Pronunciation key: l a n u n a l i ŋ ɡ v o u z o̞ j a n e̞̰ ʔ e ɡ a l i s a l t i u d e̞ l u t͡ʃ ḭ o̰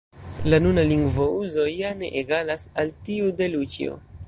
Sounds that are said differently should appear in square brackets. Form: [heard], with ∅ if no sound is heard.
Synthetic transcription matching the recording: l a n u n a l i ŋ ɡ v o u z o̞ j a n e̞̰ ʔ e ɡ a l [a] s a l t i u d e̞ l u t͡ʃ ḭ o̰